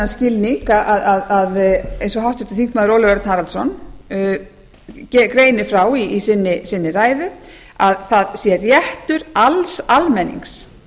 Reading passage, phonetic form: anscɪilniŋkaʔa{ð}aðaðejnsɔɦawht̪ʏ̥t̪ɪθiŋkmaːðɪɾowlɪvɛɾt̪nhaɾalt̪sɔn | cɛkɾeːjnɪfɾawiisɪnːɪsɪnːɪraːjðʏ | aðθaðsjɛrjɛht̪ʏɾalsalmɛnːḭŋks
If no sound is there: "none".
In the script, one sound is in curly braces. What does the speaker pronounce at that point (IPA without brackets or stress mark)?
ð